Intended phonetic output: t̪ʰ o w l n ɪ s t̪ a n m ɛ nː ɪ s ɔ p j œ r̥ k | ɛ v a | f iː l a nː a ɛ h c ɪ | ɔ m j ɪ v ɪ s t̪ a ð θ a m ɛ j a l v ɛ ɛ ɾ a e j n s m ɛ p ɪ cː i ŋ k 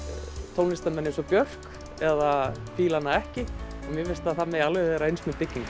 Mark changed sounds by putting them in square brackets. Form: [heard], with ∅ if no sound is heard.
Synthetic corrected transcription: t̪ʰ o w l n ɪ s t̪ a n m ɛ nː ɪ s ɔ p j œ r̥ k | ɛ [ð] a | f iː l a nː a ɛ h c ɪ | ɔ m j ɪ v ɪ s t̪ a ð θ a m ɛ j a l v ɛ ɛ ɾ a e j n s m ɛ p ɪ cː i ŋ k